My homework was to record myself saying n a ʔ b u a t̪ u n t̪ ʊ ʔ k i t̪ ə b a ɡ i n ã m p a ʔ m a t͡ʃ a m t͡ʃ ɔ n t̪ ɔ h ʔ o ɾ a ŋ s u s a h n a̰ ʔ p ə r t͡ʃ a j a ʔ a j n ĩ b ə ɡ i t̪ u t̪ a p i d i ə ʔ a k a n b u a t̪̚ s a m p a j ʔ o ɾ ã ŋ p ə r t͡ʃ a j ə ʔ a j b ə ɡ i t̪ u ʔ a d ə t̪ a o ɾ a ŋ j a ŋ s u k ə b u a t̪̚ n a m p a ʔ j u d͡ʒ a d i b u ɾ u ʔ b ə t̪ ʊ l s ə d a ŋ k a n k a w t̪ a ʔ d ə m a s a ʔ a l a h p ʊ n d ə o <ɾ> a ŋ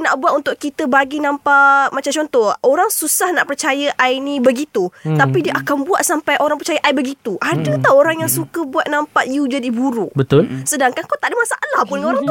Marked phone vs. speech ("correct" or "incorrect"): correct